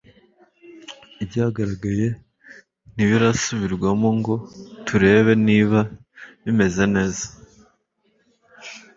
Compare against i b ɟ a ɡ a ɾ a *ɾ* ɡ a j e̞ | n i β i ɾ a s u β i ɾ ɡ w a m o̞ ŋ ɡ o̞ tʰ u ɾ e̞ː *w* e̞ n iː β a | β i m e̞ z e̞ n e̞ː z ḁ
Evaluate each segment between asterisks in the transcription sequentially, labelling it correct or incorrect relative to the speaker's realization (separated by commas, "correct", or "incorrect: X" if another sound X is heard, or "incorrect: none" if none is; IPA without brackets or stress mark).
incorrect: none, incorrect: β